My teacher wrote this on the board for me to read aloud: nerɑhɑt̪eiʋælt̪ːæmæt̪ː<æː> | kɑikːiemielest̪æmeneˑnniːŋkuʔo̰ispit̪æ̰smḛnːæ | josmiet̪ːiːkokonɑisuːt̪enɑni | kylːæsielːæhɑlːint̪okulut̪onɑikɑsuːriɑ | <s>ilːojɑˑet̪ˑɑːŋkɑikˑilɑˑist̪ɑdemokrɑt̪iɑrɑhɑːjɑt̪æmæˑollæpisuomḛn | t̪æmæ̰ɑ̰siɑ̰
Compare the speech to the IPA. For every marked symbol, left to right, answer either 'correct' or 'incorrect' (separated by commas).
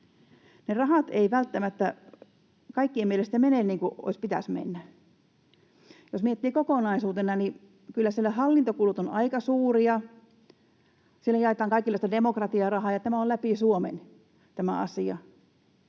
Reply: incorrect, correct